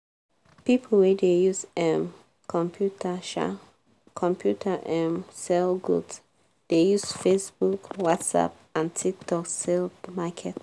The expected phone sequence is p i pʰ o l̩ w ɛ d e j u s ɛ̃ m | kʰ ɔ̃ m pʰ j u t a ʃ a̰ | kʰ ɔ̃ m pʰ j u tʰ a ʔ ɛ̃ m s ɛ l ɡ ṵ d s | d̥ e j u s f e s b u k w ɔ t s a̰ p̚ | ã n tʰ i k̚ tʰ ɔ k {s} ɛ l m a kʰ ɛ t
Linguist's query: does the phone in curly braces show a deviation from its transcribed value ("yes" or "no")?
no